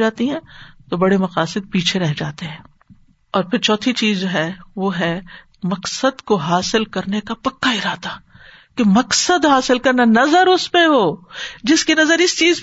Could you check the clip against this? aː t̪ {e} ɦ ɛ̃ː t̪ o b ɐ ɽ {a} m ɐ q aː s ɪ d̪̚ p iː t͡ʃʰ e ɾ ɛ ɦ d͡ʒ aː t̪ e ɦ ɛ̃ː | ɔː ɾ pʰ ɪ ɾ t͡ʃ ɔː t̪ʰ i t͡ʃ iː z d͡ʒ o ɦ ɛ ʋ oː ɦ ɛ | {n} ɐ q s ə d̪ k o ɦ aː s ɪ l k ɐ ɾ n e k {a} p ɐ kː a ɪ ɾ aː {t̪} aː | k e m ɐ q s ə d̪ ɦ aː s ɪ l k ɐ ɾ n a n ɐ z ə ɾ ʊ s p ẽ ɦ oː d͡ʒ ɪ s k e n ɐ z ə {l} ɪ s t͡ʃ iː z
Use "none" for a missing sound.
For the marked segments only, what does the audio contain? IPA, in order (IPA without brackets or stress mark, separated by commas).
i, e, m, a, t̪, ɾ